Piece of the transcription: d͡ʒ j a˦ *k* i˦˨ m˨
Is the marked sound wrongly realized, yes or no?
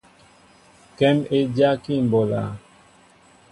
no